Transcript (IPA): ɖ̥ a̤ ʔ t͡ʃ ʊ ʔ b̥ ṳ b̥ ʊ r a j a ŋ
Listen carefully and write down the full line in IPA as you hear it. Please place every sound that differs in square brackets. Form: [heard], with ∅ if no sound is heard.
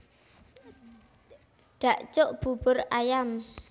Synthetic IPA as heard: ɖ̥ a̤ ʔ t͡ʃ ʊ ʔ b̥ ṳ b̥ ʊ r a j a [m]